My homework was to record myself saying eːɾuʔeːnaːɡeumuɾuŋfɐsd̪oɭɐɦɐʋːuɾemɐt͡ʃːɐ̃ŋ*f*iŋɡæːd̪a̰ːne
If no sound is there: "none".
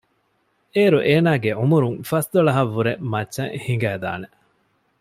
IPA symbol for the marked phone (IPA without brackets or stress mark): h